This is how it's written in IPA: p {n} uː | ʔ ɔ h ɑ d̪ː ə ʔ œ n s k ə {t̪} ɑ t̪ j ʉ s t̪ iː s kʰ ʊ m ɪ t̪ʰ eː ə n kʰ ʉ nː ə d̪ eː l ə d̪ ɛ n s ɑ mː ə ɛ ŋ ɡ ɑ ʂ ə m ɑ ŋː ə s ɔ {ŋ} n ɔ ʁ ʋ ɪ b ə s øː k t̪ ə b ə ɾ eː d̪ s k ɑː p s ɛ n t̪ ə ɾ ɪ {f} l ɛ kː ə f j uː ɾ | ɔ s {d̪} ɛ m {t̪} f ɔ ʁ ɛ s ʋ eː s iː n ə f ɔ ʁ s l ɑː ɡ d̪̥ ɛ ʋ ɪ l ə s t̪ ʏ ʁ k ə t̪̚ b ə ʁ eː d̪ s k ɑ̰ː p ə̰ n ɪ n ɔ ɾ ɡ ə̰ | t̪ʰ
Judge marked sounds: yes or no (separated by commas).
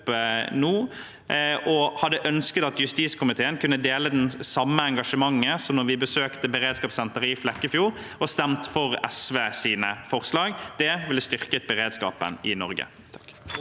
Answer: yes, yes, no, yes, no, yes